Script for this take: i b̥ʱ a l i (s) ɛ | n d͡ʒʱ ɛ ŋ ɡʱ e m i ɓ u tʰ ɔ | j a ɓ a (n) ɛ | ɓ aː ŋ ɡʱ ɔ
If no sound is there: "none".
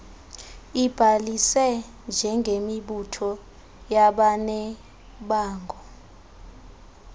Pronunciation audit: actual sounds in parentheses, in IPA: s, n

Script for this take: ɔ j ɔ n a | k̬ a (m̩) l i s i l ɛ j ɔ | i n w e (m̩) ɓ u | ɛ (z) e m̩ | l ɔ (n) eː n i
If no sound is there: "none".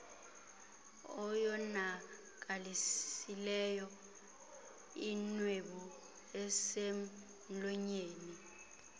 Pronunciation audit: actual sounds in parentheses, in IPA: none, none, s, ɲ

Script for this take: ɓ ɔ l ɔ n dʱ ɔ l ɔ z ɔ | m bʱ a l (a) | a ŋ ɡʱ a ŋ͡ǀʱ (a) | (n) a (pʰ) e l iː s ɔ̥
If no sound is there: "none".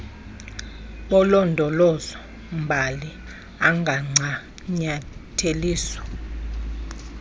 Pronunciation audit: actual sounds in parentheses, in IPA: i, a, ɲ, tʰ

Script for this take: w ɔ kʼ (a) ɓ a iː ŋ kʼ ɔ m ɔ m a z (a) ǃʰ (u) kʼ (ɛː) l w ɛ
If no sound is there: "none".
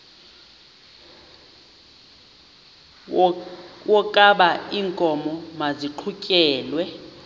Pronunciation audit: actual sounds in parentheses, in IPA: a, i, u, ɛː

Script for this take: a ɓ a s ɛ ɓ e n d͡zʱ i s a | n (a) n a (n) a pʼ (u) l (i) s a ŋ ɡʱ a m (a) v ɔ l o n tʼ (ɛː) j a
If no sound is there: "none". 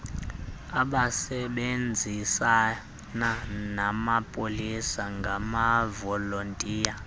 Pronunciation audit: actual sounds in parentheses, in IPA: a, m, o, i, a, iː

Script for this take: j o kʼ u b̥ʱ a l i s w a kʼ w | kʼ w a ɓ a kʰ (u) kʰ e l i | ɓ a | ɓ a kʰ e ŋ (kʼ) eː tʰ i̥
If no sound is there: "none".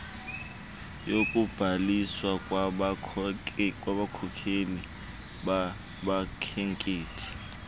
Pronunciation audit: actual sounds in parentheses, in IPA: ɔ, kʼ

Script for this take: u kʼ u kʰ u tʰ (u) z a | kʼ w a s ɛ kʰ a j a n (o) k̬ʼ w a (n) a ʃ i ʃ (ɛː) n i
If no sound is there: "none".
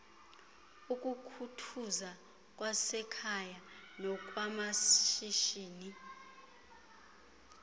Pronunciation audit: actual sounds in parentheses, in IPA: u, ɔ, m, iː

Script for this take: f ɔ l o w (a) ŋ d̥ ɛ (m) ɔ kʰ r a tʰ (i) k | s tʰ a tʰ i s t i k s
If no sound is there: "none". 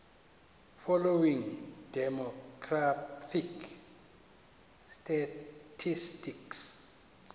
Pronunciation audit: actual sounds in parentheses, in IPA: i, m, i

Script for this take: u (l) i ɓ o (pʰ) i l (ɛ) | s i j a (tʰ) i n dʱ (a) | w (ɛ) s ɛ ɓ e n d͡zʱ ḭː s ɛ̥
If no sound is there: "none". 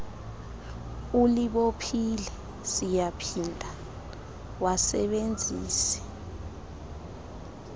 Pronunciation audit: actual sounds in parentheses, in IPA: l, pʰ, ɛ, pʰ, a, a

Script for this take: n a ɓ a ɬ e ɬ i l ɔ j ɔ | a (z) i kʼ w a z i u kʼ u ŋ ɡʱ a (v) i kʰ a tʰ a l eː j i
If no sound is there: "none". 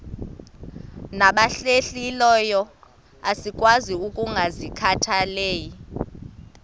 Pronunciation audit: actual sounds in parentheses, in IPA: s, z

